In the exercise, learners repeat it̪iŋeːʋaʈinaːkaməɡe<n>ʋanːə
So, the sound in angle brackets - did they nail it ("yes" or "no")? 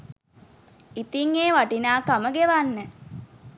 no